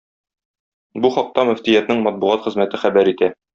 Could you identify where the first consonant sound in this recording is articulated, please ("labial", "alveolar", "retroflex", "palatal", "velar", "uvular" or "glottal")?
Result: labial